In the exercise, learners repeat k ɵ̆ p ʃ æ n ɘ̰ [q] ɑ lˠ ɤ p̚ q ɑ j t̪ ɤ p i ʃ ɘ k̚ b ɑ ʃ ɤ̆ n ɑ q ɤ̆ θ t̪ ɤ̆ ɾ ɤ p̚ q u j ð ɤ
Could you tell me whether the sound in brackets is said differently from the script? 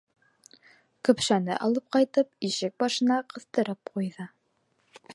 yes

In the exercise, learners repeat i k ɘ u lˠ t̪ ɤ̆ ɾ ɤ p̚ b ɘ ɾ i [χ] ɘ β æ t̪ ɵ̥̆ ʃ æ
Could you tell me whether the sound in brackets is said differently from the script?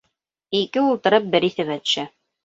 yes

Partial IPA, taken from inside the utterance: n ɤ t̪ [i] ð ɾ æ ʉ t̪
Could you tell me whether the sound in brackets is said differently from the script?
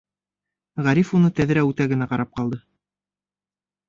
yes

